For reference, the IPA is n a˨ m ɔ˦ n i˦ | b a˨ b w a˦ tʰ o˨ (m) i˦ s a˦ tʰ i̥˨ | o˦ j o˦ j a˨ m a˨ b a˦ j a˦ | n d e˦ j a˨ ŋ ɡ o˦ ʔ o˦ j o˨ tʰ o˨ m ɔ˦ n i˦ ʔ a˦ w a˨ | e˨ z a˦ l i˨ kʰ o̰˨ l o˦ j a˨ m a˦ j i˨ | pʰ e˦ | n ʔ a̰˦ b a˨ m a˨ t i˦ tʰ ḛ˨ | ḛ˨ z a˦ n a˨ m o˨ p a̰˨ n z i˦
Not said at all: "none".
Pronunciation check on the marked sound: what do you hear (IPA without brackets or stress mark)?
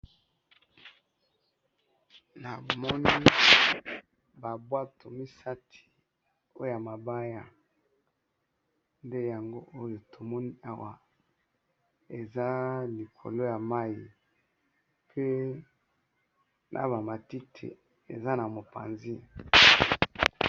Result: m